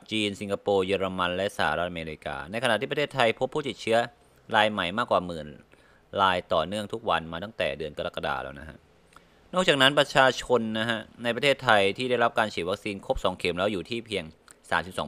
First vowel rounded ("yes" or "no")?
no